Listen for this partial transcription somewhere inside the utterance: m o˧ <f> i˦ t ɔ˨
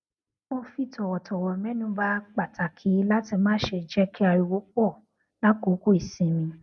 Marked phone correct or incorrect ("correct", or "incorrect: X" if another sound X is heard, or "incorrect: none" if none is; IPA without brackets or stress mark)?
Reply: correct